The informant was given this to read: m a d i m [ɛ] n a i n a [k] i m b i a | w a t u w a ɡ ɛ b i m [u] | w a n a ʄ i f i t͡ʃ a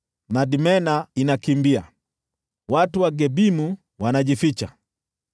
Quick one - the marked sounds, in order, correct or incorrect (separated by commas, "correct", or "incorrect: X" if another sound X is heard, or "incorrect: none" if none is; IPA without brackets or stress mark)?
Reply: correct, correct, correct